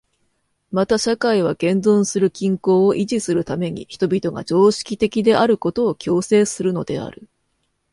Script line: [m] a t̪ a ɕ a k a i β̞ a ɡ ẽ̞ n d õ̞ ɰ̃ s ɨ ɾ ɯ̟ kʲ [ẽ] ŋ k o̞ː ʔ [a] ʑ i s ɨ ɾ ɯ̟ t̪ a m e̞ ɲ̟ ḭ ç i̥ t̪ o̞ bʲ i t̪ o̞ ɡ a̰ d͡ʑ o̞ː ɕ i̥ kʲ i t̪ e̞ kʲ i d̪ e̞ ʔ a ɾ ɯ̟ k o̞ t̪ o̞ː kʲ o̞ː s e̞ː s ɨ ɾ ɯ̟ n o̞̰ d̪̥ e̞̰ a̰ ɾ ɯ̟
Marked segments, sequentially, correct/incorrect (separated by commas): correct, incorrect, incorrect